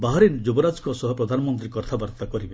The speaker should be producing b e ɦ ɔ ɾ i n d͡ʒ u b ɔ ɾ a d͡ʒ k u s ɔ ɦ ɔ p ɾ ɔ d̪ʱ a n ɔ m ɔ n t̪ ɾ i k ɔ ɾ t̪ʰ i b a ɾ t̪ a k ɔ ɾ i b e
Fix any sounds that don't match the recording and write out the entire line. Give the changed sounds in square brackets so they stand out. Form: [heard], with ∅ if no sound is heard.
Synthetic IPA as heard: b [a] ɦ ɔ ɾ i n d͡ʒ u b ɔ ɾ a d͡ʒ k [ɔ] s ɔ ɦ ɔ p ɾ ɔ d̪ʱ a n ɔ m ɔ n t̪ ɾ i k ɔ ɾ t̪ʰ [a] b a ɾ t̪ a k ɔ ɾ i b e

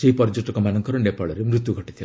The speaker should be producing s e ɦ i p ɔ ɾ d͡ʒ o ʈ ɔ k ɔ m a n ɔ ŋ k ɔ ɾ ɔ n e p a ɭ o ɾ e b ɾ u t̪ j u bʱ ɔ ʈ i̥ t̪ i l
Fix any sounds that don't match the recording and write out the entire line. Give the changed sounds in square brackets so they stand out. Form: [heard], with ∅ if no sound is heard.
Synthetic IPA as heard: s e ɦ i p ɔ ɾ d͡ʒ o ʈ ɔ k ɔ m a n ɔ ŋ k ɔ ɾ ɔ n e p a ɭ [ɔ] ɾ e [m] ɾ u t̪ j u [ɡʱ] ɔ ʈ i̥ [t̪ʰ] i l

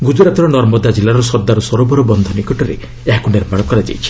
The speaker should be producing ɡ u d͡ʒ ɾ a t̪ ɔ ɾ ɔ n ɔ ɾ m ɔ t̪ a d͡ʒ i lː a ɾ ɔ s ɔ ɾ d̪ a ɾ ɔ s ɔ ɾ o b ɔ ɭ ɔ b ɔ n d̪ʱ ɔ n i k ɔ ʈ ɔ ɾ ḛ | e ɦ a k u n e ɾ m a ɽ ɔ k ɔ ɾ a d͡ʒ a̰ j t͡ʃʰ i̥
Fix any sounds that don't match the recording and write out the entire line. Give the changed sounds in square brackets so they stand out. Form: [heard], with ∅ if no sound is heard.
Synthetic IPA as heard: ɡ u d͡ʒ ɾ a t̪ ɔ ɾ ɔ n ɔ ɾ m ɔ [d̪] a d͡ʒ i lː a ɾ ɔ s ɔ ɾ d̪ a ɾ ɔ s ɔ ɾ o b ɔ [ɾ] ɔ b ɔ n d̪ʱ ɔ n i k ɔ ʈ ɔ ɾ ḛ | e ɦ a k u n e ɾ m a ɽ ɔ k ɔ ɾ a d͡ʒ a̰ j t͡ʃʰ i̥

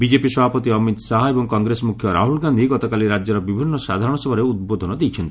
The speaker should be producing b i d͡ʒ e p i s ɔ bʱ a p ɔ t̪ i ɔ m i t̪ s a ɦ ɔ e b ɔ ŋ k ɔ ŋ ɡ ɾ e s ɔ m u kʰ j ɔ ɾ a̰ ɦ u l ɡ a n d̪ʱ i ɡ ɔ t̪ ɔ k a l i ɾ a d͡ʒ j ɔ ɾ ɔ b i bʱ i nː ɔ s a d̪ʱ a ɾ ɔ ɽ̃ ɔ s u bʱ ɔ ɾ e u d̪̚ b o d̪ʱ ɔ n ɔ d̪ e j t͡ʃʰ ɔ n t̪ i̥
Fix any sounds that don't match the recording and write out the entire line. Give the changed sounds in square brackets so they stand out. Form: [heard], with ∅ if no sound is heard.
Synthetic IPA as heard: b i d͡ʒ e p i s ɔ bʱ a p ɔ t̪ i ɔ m i t̪ s a ɦ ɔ e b ɔ ŋ k ɔ ŋ ɡ ɾ e s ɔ m u kʰ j ɔ ɾ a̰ ɦ u l ɡ a n d̪ʱ i ɡ ɔ t̪ ɔ k a l i ɾ a d͡ʒ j ɔ ɾ ɔ b i bʱ i nː ɔ s a d̪ʱ a ɾ ɔ ɽ̃ ɔ s [ɔ] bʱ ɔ ɾ e u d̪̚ b o d̪ʱ ɔ n ɔ d̪ e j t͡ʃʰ ɔ n t̪ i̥

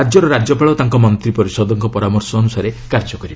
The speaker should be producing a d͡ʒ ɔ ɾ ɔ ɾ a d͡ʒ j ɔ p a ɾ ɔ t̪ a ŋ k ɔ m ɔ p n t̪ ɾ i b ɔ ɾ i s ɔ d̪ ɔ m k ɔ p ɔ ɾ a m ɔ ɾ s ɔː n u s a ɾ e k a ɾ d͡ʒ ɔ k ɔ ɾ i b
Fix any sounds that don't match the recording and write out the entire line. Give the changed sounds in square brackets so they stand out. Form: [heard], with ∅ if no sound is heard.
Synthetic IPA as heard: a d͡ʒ ɔ ɾ ɔ ɾ a d͡ʒ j ɔ p a [ɭ] ɔ t̪ a ŋ k ɔ m ɔ [∅] n t̪ ɾ i [p] ɔ ɾ i s ɔ d̪ ɔ [ŋ] k ɔ p ɔ ɾ a m ɔ ɾ s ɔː n u s a ɾ e k a ɾ d͡ʒ ɔ k ɔ ɾ i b

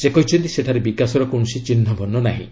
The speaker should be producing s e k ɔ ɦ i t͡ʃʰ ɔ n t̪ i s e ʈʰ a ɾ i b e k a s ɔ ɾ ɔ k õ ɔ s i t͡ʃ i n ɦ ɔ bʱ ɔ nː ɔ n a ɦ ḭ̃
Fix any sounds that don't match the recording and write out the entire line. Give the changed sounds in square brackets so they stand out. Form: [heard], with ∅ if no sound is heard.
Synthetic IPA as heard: s e k ɔ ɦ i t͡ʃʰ ɔ n t̪ i s e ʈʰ a ɾ [e] b [i] k a s ɔ ɾ ɔ k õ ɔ s i t͡ʃ i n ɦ ɔ bʱ ɔ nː ɔ n a ɦ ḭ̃

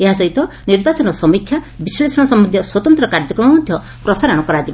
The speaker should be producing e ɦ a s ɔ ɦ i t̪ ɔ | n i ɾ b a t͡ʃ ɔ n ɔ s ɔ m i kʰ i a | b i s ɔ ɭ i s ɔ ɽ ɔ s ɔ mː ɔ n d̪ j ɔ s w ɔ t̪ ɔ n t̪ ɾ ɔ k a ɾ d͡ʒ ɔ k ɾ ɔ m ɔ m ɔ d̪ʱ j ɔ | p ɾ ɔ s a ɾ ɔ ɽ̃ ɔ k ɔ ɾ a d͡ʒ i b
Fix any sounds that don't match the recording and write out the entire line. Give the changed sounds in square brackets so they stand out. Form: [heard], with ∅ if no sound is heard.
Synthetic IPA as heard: e ɦ a s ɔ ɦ i t̪ ɔ | n i ɾ b a t͡ʃ ɔ n ɔ s ɔ m i kʰ [j] a | b i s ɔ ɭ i s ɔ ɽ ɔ s ɔ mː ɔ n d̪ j ɔ s w ɔ t̪ ɔ n t̪ ɾ ɔ k a ɾ d͡ʒ ɔ k ɾ ɔ m ɔ m ɔ d̪ʱ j ɔ | p ɾ ɔ s a ɾ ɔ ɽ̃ ɔ k ɔ ɾ a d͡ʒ i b

